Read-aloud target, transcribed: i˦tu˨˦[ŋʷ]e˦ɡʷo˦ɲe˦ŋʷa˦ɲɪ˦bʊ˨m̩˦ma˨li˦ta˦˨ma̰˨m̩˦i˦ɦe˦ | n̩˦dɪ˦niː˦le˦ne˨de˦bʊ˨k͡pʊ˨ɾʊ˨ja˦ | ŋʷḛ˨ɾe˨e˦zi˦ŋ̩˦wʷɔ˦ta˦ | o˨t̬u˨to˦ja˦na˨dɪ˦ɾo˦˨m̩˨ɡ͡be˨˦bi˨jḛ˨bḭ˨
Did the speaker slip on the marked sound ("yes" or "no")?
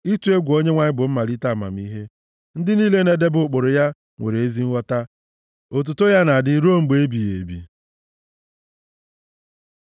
yes